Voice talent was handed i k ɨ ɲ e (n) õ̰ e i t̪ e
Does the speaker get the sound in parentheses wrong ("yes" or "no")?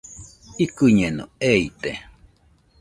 no